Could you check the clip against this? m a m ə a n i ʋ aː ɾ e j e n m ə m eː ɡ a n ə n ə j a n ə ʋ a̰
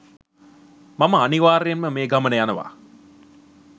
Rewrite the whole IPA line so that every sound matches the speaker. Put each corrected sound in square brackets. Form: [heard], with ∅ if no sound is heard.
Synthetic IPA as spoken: m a m ə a n i ʋ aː ɾ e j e n m ə m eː ɡ a [m] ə n ə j a n ə ʋ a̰